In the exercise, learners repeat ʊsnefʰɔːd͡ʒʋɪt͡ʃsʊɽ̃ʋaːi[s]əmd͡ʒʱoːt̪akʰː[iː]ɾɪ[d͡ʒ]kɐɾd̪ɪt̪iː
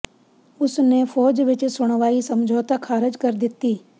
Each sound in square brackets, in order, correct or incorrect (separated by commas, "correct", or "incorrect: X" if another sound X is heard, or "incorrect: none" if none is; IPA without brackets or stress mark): correct, incorrect: aː, correct